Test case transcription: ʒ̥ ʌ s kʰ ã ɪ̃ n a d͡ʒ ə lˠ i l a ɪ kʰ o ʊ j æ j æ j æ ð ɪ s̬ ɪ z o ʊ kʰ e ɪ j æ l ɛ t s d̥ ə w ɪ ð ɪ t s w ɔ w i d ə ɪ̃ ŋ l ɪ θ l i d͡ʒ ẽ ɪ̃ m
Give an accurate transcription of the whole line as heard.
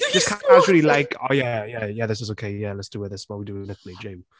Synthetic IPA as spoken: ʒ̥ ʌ s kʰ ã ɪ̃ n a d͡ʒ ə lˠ i l a ɪ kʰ o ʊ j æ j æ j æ ð ɪ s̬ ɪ z o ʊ kʰ e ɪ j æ l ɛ t s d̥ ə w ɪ ð ɪ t s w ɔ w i d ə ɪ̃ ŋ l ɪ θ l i d͡ʒ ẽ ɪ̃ m